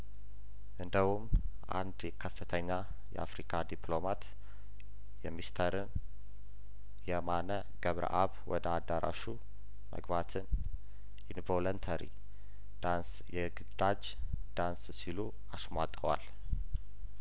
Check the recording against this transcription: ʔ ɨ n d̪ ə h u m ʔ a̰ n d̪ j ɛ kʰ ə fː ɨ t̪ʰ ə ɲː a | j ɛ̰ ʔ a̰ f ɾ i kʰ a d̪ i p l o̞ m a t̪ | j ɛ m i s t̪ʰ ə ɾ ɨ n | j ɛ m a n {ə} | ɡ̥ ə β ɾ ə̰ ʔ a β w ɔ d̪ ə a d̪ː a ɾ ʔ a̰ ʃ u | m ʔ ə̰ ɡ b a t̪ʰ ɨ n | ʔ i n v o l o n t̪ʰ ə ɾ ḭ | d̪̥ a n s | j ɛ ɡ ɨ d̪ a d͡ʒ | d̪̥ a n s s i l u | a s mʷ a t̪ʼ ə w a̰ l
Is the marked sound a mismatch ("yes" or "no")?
no